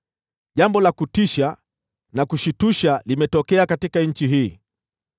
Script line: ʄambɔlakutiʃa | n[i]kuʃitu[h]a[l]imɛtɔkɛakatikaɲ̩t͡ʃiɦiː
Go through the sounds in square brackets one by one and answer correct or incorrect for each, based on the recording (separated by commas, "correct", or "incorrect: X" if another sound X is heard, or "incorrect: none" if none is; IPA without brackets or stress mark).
incorrect: a, incorrect: ʃ, correct